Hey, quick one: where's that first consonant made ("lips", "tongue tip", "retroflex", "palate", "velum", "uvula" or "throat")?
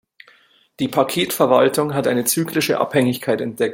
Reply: tongue tip